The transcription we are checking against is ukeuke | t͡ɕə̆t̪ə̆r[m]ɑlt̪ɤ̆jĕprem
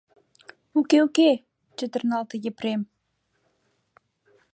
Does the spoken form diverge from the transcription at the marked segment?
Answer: yes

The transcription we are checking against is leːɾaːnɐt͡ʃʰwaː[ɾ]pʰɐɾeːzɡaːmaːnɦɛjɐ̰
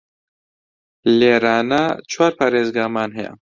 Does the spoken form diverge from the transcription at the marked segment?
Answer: no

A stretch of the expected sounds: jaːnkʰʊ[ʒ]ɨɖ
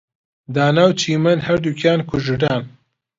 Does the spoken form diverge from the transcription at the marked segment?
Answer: no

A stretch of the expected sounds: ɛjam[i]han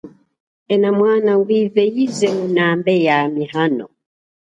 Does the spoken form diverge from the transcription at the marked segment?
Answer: no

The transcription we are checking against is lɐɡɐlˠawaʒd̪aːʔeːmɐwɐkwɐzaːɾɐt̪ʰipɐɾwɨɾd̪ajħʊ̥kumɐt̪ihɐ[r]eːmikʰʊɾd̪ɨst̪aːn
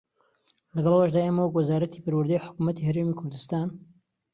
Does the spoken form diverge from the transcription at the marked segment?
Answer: yes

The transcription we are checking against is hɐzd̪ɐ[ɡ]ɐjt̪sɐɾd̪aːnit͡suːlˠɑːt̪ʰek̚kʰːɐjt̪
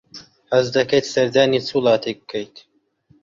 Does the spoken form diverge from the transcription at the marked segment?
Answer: yes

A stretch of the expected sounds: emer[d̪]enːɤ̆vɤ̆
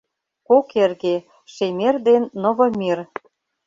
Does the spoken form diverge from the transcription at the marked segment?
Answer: no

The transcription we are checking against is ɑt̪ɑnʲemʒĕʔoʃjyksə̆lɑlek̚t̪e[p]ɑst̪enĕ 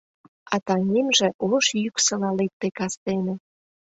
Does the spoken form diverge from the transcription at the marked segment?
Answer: yes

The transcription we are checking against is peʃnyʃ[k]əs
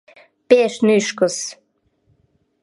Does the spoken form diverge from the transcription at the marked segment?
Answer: no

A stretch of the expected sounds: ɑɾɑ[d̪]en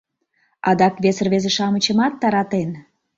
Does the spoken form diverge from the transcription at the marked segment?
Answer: yes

